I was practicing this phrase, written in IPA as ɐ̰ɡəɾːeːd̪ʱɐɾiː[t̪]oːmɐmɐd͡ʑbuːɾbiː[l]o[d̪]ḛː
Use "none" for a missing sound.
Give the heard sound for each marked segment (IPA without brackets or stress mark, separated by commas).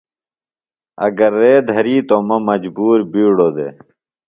t̪, ɽ, d̪